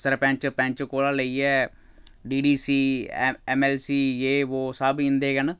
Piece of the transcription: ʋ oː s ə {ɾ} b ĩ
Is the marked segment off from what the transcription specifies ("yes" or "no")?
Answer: yes